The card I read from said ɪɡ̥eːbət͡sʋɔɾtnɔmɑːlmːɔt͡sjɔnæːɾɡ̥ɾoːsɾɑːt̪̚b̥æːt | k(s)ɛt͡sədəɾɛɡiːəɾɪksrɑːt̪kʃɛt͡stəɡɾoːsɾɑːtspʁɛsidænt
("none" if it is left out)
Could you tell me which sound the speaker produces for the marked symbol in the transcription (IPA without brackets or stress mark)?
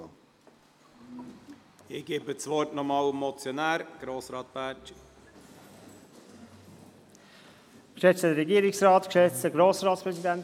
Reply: ʃ